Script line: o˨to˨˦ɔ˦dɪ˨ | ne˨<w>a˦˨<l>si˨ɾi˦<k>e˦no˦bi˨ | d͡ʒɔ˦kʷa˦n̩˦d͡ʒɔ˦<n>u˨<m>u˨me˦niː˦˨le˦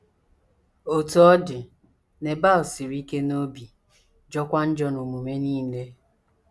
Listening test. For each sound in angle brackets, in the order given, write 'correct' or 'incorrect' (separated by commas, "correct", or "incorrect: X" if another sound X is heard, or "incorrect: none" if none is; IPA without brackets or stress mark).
incorrect: b, correct, correct, correct, correct